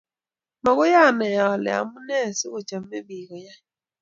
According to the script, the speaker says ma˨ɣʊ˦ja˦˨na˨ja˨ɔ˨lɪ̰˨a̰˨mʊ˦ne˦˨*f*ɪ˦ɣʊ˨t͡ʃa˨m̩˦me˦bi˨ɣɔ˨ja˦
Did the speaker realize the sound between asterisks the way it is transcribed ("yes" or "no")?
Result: no